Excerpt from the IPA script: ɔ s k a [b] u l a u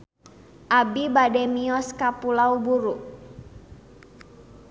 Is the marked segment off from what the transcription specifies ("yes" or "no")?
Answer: yes